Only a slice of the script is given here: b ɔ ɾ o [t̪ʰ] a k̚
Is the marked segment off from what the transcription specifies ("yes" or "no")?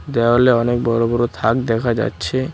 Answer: no